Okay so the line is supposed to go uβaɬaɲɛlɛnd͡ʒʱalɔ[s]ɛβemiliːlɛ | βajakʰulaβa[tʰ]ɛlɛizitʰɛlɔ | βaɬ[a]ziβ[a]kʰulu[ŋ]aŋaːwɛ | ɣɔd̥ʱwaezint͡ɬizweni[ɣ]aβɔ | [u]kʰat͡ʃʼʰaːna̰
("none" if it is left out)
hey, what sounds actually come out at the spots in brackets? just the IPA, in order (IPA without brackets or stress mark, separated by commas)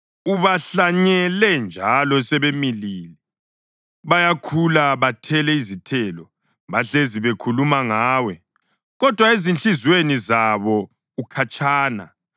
s, tʰ, e, e, m, z, u